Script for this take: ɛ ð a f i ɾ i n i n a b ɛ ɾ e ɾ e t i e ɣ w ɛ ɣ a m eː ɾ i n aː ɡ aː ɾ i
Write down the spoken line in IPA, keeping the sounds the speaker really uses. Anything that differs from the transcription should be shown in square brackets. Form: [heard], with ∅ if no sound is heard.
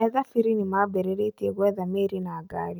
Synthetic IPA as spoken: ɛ ð a f i ɾ i n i [m] a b ɛ ɾ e ɾ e t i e ɣ w ɛ [ð] a m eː ɾ i n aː ɡ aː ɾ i